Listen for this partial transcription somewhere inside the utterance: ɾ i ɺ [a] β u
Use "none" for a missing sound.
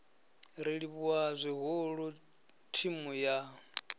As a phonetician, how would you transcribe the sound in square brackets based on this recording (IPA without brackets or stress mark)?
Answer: i